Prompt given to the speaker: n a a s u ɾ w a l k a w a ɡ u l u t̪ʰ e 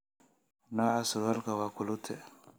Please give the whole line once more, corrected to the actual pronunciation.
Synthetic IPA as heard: n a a s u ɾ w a l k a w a k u l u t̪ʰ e